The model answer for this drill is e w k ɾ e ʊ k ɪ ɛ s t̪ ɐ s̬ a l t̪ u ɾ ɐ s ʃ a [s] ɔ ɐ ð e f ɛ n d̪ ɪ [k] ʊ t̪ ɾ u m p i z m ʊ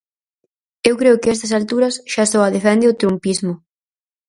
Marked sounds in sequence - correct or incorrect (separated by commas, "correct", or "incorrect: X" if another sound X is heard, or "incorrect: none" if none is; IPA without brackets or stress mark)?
correct, incorrect: none